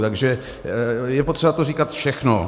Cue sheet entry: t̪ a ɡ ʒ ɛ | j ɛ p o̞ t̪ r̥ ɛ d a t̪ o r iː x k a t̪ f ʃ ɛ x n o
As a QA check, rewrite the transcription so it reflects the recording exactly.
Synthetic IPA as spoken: t̪ a ɡ ʒ ɛ | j ɛ p o̞ t̪ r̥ ɛ b a t̪ o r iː k a t̪ f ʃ ɛ x n o